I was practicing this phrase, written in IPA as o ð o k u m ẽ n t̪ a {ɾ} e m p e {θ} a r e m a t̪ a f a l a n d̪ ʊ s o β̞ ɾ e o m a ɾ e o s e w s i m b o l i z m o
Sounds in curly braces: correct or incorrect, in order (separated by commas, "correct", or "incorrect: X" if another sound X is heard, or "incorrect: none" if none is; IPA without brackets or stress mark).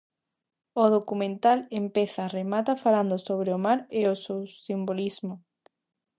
incorrect: l, correct